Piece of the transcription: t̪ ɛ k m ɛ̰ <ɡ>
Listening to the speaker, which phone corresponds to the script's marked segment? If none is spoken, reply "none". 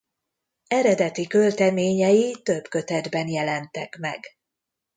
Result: ɡ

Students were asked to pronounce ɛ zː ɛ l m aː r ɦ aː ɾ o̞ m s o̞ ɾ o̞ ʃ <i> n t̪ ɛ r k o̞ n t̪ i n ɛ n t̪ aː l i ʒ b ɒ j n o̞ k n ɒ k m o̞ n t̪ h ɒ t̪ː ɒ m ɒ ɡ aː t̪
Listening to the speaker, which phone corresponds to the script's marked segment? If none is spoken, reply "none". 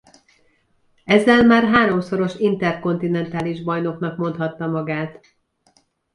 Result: i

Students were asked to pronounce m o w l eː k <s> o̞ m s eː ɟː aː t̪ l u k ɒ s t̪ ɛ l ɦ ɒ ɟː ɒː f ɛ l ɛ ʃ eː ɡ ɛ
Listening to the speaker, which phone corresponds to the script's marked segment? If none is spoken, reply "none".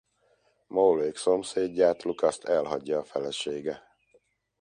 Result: s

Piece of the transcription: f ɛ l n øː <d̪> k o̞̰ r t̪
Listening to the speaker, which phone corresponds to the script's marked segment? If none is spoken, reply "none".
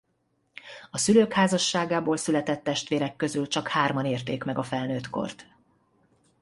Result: t̪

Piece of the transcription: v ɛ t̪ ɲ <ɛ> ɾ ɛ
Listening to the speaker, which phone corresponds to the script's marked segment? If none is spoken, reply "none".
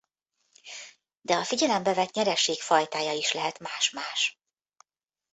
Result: ɛ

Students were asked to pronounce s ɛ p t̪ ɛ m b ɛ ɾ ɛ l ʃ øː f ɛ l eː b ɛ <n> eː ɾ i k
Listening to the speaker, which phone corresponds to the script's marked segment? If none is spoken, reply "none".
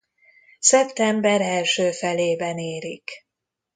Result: n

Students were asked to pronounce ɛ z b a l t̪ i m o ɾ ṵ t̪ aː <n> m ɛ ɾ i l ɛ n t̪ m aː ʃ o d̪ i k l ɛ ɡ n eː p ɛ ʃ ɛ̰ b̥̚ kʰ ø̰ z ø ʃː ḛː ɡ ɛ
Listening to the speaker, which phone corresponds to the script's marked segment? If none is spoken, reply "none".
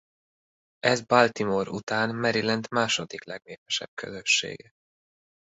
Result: n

